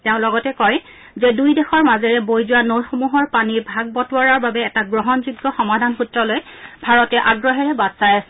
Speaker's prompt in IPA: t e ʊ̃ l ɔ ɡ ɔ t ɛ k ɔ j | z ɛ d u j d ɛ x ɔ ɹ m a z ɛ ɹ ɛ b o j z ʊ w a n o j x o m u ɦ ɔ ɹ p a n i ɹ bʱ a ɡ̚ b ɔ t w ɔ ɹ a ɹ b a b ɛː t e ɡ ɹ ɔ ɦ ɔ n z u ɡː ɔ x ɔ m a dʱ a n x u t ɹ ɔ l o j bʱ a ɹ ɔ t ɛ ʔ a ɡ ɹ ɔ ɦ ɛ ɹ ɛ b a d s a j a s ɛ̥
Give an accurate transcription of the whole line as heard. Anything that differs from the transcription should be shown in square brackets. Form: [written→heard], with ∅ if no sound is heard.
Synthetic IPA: t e ʊ̃ l ɔ ɡ ɔ t ɛ k ɔ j | z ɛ d u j d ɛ x ɔ ɹ m a z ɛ ɹ ɛ b o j z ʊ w a n o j x o m u ɦ ɔ ɹ p a n i ɹ bʱ a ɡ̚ b ɔ t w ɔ ɹ a ɹ b a b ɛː t [e→a] ɡ ɹ ɔ ɦ ɔ n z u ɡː ɔ x ɔ m a dʱ a n x u t ɹ ɔ l o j bʱ a ɹ ɔ t ɛ ʔ a ɡ ɹ ɔ ɦ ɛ ɹ ɛ b a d s a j a s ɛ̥